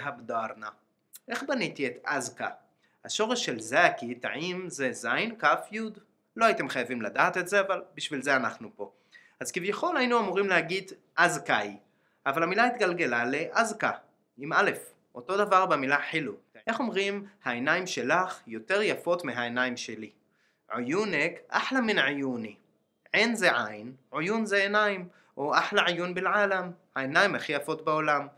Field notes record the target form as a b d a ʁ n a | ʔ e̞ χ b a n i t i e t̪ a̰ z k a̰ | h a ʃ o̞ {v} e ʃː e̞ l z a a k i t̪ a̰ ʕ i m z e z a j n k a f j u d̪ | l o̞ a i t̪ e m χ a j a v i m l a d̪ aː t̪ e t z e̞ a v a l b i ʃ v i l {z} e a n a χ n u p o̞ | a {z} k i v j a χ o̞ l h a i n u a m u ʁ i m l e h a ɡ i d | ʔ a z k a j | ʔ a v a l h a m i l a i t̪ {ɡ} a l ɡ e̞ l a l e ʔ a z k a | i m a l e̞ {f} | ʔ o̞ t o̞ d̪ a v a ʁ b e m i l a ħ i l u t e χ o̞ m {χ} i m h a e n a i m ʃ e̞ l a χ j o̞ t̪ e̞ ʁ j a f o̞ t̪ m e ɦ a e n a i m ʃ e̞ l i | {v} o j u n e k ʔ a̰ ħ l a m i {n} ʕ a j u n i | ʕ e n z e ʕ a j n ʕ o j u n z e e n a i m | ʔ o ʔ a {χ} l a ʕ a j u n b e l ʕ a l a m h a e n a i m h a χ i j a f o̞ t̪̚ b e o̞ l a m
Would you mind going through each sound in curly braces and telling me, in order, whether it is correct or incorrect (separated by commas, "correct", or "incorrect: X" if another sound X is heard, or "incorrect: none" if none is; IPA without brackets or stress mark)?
incorrect: ʁ, correct, correct, correct, correct, incorrect: ʁ, incorrect: ʕ, correct, incorrect: ħ